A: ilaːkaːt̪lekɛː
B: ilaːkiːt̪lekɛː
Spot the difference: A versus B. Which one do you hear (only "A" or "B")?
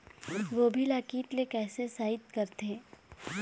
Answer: B